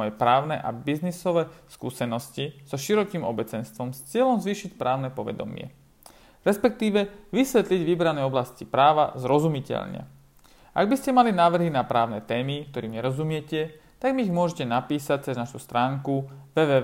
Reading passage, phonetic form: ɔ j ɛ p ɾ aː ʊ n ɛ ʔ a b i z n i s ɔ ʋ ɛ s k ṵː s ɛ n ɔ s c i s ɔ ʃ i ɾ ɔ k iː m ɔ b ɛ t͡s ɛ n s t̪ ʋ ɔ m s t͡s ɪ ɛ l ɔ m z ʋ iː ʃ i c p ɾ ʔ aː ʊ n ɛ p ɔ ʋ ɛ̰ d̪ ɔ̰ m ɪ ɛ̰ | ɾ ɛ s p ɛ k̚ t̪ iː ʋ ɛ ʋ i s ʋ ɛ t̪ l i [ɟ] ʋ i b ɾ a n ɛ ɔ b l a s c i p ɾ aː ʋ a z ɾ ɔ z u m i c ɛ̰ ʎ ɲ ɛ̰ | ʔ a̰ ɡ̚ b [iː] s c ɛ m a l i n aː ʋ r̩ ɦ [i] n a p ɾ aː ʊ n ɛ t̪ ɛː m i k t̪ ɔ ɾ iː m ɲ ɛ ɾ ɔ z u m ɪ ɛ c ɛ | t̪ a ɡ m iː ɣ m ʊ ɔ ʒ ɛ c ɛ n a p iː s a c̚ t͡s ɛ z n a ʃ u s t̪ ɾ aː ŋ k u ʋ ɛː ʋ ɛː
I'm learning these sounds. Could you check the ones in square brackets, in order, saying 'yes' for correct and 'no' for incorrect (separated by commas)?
yes, no, yes